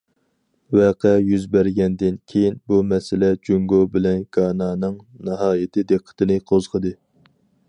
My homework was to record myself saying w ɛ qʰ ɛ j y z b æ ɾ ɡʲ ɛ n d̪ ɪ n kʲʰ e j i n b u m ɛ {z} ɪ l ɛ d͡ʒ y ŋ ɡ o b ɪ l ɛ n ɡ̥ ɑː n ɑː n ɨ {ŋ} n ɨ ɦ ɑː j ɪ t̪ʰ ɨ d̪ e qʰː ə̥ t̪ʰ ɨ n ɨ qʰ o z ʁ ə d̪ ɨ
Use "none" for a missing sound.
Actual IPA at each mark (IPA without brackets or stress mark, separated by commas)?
s, ŋ